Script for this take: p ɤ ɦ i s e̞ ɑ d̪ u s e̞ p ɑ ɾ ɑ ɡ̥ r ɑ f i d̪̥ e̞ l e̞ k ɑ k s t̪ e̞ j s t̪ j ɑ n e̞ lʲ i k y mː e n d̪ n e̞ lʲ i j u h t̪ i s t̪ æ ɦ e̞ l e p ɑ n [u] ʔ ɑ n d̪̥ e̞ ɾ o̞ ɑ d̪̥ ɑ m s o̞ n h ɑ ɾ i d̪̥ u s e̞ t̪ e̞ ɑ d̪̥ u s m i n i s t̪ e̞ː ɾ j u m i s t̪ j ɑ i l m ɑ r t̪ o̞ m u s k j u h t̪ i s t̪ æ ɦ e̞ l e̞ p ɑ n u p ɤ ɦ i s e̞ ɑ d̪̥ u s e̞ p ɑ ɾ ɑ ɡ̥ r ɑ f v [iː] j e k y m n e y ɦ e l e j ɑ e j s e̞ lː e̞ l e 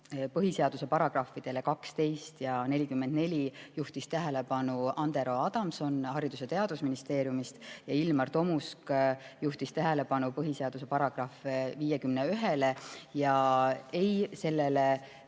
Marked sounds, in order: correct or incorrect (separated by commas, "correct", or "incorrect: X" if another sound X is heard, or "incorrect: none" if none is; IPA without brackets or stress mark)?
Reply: correct, correct